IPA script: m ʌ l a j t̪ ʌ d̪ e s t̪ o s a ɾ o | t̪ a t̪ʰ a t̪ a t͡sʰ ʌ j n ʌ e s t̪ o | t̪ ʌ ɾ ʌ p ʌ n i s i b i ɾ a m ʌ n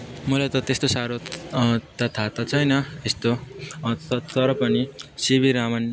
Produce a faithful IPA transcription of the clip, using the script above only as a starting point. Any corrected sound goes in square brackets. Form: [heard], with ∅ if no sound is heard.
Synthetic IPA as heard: m ʌ l a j t̪ ʌ [t̪] e s t̪ o s a ɾ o | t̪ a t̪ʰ a t̪ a t͡sʰ ʌ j n ʌ e s t̪ o | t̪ ʌ ɾ ʌ p ʌ n i s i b i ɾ a m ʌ n